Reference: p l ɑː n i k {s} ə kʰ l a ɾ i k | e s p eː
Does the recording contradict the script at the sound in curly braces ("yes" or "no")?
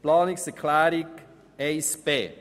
no